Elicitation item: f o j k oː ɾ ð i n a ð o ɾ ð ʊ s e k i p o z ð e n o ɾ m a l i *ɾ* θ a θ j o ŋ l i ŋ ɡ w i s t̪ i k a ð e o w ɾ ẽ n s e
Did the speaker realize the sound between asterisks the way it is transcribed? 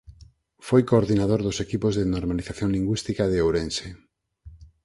no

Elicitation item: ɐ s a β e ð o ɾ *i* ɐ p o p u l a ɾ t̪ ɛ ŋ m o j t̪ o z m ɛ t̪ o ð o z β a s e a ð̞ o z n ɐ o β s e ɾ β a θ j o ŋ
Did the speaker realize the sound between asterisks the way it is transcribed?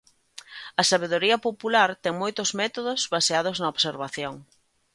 yes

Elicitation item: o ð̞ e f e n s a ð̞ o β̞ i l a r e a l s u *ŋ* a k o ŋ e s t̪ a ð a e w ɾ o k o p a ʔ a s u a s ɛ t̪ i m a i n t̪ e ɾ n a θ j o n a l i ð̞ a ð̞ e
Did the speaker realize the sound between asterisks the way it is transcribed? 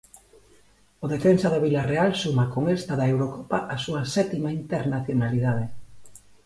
no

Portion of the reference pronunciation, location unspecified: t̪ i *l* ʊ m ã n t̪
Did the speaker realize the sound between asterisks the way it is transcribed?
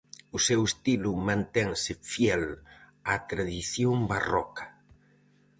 yes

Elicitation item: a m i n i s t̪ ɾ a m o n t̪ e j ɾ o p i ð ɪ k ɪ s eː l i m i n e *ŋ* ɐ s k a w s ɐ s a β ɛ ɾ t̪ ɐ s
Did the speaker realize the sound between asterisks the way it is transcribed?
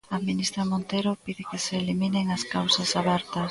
yes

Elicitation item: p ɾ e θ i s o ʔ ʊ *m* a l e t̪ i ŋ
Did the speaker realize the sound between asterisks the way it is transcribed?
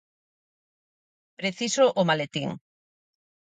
yes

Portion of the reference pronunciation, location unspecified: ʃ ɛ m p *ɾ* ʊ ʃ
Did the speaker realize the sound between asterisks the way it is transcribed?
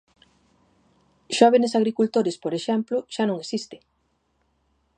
no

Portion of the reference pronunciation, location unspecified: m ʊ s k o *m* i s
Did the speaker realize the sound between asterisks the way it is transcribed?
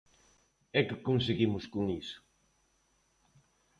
no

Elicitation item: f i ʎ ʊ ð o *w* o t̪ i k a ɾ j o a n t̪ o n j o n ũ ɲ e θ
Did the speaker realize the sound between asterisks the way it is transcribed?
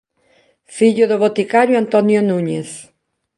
no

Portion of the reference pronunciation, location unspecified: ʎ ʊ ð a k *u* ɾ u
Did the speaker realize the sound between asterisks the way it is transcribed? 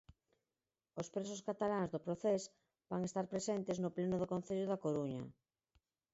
no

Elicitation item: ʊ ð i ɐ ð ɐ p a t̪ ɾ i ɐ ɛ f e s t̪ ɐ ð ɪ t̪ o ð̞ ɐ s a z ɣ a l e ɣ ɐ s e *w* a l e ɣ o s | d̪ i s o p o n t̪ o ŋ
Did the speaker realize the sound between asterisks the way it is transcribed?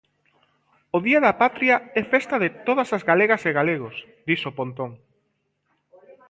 no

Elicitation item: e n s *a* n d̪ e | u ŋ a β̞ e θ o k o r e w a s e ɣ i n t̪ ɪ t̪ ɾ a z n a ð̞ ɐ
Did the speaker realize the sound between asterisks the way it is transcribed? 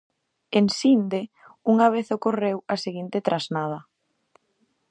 no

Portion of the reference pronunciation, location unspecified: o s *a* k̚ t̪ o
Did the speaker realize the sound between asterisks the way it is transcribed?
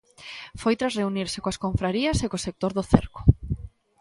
no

